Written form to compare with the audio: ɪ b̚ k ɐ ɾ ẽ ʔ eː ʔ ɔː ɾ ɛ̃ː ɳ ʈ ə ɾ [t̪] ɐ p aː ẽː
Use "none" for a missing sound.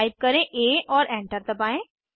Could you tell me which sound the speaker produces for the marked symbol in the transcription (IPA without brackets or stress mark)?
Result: t̪